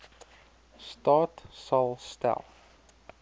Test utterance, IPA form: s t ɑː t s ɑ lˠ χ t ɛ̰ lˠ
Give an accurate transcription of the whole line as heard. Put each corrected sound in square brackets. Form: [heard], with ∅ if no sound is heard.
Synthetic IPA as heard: s t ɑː t s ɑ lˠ [s] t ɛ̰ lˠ